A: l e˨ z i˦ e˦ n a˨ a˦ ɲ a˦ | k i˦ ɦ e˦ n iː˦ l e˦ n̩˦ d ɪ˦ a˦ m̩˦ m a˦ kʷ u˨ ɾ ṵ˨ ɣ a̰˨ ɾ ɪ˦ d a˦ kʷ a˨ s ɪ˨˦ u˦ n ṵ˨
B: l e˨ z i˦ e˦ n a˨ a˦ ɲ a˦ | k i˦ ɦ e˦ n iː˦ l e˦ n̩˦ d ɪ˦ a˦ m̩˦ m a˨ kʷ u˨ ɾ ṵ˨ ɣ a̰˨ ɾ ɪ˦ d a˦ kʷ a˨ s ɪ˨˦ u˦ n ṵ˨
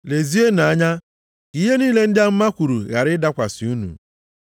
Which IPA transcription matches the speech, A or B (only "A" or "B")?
A